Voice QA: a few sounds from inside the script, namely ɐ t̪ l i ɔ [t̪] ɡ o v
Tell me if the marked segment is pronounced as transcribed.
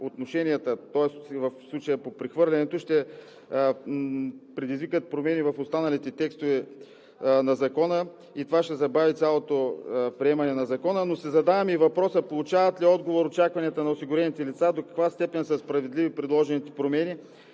no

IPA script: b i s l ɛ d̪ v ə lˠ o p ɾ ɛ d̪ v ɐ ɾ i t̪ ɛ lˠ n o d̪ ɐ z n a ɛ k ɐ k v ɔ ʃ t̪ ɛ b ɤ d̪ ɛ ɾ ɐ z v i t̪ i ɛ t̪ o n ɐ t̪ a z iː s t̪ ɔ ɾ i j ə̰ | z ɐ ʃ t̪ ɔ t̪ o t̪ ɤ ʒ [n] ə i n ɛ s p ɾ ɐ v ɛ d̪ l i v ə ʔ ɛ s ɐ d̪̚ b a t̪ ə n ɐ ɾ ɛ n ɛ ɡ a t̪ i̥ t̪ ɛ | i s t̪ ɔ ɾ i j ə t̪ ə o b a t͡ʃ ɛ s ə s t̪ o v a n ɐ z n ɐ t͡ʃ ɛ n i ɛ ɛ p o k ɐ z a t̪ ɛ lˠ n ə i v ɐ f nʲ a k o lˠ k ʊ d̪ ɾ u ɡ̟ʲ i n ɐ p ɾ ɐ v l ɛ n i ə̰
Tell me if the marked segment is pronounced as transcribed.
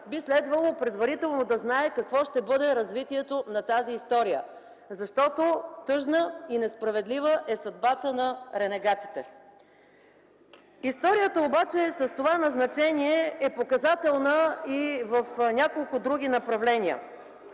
yes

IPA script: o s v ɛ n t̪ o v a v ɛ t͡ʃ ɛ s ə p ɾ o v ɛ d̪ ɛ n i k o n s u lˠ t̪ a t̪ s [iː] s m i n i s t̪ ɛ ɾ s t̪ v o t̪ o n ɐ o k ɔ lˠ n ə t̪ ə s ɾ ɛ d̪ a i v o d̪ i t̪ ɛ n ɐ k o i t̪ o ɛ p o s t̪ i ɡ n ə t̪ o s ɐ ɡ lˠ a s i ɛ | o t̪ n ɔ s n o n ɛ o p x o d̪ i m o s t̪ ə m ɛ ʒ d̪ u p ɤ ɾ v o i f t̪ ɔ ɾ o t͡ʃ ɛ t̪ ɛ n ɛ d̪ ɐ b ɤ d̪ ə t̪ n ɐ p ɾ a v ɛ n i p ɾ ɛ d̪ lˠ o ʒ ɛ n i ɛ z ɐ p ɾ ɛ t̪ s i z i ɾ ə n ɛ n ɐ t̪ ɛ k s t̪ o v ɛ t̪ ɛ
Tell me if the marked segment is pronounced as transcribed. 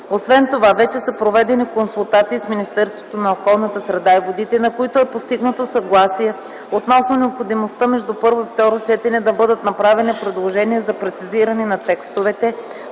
yes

